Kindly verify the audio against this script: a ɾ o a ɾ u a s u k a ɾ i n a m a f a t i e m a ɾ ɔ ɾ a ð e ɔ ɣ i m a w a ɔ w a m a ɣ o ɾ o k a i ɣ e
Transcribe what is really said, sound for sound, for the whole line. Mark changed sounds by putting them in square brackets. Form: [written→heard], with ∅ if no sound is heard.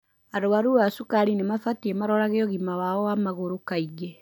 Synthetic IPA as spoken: a ɾ o a ɾ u a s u k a ɾ i n [a→e] m a f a t i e m a ɾ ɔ ɾ a [ð→ɣ] e ɔ ɣ i m a w a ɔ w a m a ɣ o ɾ o k a i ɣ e